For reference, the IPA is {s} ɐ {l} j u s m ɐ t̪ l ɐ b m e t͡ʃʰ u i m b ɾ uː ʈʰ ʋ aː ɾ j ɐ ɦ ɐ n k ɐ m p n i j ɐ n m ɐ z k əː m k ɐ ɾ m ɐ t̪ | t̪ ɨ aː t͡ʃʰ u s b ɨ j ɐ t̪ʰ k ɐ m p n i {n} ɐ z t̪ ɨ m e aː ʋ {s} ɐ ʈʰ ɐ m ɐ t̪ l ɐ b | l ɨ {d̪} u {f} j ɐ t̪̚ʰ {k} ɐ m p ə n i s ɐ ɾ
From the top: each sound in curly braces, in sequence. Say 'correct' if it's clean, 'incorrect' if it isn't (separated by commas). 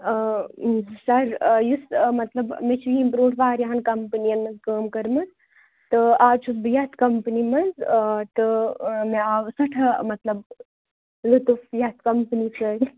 correct, incorrect, incorrect, correct, incorrect, correct, correct